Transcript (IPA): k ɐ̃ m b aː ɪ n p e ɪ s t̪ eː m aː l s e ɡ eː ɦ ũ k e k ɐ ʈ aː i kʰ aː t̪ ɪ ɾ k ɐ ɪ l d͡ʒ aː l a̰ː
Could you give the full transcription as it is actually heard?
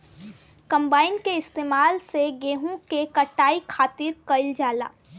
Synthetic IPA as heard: k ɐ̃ m b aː ɪ n k e ɪ s t̪ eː m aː l s e ɡ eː ɦ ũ k e k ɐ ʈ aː i kʰ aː t̪ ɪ ɾ k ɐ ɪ l d͡ʒ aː l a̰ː